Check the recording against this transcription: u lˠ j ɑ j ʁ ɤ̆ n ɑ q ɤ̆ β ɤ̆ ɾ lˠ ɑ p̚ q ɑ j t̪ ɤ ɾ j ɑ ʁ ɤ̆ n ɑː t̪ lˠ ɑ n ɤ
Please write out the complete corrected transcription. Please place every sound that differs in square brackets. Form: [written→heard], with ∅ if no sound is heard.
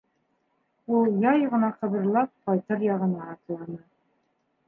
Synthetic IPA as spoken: u lˠ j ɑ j ʁ ɤ̆ n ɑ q ɤ̆ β ɤ̆ ɾ lˠ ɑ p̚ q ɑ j t̪ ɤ ɾ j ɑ ʁ ɤ̆ n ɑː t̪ lˠ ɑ n ɤ